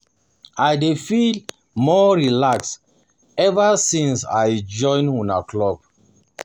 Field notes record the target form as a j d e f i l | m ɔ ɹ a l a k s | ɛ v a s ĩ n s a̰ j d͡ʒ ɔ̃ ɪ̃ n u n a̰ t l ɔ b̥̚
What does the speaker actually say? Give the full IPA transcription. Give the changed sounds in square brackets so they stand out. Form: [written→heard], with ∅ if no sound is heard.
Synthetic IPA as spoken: a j d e f i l | m ɔ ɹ [a→i] l a k s | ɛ v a s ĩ n s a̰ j d͡ʒ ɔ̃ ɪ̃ n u n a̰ [t→k] l ɔ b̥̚